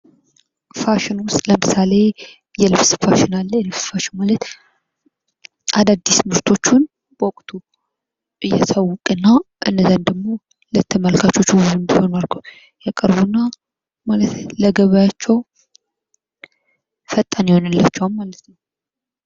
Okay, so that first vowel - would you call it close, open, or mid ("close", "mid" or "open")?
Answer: open